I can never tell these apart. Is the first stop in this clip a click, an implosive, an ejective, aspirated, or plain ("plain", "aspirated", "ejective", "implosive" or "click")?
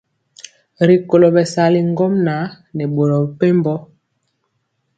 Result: plain